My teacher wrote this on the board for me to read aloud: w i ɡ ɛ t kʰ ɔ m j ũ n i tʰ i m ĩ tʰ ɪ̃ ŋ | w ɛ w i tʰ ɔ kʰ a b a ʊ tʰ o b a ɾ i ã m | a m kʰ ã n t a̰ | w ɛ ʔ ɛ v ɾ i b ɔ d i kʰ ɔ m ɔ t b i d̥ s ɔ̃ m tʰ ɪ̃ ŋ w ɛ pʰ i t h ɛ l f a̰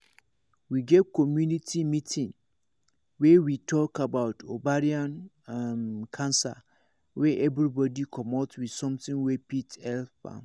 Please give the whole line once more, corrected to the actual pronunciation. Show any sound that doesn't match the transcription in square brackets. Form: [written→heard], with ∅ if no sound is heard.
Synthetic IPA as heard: w i ɡ ɛ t kʰ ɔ m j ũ n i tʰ i m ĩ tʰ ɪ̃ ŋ | w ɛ w i tʰ ɔ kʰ a b a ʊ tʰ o b a ɾ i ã [m→n] | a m kʰ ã n [t→s] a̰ | w ɛ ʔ ɛ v ɾ i b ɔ d i kʰ ɔ m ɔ t [b→w] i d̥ s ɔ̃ m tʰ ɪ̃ ŋ w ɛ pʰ i t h ɛ l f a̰